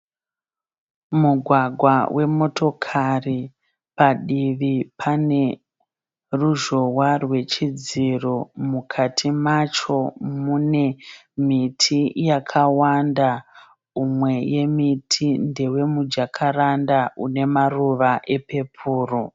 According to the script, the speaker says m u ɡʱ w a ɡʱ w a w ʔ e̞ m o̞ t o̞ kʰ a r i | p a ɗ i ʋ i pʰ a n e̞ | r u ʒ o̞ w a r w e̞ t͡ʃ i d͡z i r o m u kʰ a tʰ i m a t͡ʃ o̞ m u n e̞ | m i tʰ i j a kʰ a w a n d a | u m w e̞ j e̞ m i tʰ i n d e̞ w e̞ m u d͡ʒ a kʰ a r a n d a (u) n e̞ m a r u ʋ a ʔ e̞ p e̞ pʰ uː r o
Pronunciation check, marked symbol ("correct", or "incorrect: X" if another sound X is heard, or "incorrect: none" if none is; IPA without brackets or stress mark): correct